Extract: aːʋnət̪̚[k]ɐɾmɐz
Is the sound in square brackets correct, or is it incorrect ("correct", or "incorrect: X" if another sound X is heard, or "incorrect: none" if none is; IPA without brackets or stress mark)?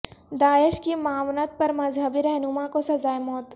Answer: incorrect: p